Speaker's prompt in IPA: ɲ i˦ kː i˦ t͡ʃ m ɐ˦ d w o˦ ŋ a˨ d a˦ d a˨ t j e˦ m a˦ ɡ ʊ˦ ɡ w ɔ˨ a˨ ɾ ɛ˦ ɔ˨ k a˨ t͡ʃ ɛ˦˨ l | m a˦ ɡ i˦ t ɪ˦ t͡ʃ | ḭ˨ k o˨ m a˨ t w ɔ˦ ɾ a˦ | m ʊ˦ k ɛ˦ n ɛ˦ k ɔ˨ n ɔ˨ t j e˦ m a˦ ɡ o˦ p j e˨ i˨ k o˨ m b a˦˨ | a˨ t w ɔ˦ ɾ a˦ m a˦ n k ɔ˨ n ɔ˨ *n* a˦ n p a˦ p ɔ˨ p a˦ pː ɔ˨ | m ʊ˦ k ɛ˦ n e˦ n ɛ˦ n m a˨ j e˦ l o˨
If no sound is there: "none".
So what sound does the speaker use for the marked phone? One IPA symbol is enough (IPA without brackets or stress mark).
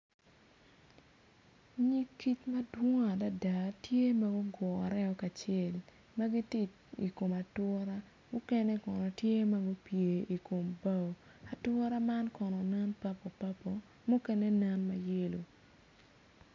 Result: n